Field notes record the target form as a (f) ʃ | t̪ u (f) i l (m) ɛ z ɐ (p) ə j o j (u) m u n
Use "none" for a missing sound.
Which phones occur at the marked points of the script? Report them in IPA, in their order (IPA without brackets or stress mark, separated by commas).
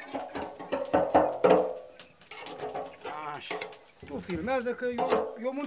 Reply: none, f, m, k, o